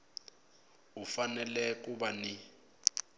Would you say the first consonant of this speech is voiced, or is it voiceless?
voiceless